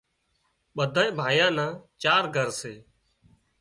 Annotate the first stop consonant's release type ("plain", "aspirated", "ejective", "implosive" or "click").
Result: implosive